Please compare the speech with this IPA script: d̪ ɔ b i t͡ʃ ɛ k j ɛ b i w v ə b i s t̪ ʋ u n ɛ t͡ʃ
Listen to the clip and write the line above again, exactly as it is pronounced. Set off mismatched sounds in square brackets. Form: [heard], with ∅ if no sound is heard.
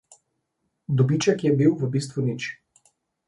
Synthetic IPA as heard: d̪ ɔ b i t͡ʃ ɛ k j ɛ b i w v ə b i s t̪ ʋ u n [i] t͡ʃ